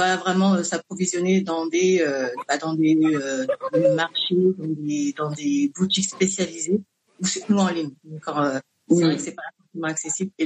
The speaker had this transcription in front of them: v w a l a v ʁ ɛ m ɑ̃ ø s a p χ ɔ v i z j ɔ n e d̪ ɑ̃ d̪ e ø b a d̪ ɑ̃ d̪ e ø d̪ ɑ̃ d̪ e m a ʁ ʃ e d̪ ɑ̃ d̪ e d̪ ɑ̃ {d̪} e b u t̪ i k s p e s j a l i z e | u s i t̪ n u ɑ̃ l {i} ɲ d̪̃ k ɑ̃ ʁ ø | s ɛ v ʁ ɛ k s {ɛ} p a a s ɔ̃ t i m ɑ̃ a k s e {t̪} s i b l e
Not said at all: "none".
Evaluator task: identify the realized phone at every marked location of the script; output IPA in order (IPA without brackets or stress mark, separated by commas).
d̪, i, ɛ, none